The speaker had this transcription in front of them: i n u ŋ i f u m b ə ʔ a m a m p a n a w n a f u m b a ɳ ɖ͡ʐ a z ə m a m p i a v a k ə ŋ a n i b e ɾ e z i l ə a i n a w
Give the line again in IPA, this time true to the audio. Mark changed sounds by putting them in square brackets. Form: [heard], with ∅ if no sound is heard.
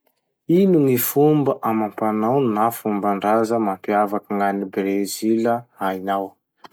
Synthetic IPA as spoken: i n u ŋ i f u m b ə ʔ a m a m p a n a w n a f u m b a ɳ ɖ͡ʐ a z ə m a m p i a v a k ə ŋ a n i b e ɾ e z i l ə a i n a w